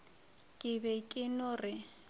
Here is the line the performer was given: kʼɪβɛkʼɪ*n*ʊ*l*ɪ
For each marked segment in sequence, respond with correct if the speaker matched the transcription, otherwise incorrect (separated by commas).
correct, incorrect